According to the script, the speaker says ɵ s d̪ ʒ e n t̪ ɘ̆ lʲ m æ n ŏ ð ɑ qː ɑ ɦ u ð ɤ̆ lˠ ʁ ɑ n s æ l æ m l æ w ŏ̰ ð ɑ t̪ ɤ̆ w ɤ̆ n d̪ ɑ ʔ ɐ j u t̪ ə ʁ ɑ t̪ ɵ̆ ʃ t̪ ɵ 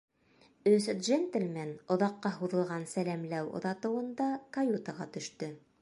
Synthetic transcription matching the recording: ɵ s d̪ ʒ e n t̪ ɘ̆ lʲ m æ n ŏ ð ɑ qː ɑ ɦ u ð ɤ̆ lˠ ʁ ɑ n s æ l æ m l æ w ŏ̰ ð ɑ t̪ ɤ̆ w ɤ̆ n d̪ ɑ k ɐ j u t̪ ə ʁ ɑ t̪ ɵ̆ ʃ t̪ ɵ